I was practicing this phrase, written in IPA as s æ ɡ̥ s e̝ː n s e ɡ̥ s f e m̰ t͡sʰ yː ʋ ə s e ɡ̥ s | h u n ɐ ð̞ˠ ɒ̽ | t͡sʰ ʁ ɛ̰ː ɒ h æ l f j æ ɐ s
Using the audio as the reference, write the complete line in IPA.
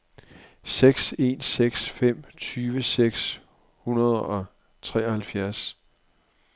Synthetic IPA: s e ɡ̥ s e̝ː n s e ɡ̥ s f e m̰ t͡sʰ yː ʋ ə s e ɡ̥ s | h u n ɐ ð̞ˠ ɒ̽ | t͡sʰ ʁ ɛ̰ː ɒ h æ l f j æ ɐ s

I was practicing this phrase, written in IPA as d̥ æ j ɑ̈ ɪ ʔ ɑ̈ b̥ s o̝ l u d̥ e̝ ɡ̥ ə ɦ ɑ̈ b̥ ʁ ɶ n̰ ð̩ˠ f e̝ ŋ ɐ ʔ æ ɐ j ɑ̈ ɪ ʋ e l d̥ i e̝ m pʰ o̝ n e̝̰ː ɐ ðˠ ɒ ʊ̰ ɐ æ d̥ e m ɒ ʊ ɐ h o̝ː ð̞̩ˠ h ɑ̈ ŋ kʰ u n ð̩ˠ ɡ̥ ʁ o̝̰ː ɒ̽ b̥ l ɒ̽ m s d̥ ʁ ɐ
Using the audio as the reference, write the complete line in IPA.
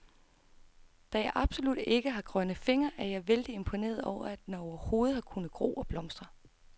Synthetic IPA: d̥ æ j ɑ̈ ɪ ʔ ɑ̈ b̥ s o̝ l u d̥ e̝ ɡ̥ ə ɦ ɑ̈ ɡ̥ ʁ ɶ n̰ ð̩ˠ f e̝ ŋ ɐ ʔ æ ɐ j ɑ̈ ɪ ʋ e l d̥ i e̝ m pʰ o̝ n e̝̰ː ɐ ðˠ ɒ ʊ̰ ɐ æ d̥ e n ɒ ʊ ɐ h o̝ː ð̞̩ˠ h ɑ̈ kʰ u n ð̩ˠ ɡ̥ ʁ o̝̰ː ɒ̽ b̥ l ɒ̽ m s d̥ ʁ ɐ

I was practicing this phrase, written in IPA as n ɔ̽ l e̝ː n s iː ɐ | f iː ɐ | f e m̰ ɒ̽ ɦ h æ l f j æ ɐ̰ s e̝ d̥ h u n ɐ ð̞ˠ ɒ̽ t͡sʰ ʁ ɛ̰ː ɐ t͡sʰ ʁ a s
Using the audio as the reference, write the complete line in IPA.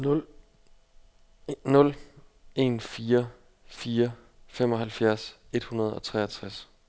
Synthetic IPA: n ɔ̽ l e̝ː n f iː ɐ | f iː ɐ | f e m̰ ɒ̽ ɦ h æ l f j æ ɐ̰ s e̝ d̥ h u n ɐ ð̞ˠ ɒ̽ t͡sʰ ʁ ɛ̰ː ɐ t͡sʰ ʁ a s

